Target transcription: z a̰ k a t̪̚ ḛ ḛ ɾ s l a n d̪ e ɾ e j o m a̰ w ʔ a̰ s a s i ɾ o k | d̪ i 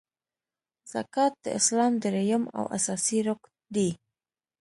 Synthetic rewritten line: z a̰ k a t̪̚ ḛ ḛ s l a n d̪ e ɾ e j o m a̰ w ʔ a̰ s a s i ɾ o k | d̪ i

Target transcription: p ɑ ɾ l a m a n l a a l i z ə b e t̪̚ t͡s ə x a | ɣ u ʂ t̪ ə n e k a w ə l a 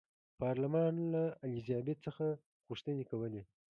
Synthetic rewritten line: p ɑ ɾ l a m ɑ n l a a l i z ɑ b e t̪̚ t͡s ə x a | ɣ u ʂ t̪ ə n e k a w ə l e

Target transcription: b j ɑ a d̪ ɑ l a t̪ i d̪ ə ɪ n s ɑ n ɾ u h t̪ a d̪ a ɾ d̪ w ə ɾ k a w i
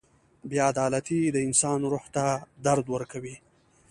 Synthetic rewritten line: b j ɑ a d̪ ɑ l a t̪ i d̪ ə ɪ n s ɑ n ɾ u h t̪ a d̪ a ɾ d̪ w ə ɾ k a w i

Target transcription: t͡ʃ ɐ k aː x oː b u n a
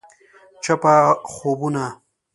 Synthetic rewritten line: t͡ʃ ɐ p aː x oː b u n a

